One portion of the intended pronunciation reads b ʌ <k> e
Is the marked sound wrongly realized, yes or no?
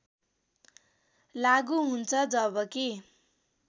no